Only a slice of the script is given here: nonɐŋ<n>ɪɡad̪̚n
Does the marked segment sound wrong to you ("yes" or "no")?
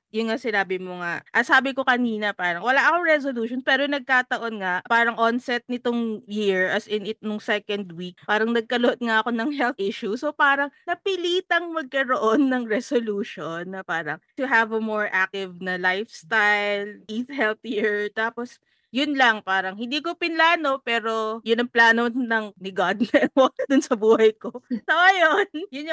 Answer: no